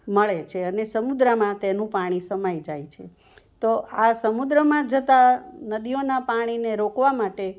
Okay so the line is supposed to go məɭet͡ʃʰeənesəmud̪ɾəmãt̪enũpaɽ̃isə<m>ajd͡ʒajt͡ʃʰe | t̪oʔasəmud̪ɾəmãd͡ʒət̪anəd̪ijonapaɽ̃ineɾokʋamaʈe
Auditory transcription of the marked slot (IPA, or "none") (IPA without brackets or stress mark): m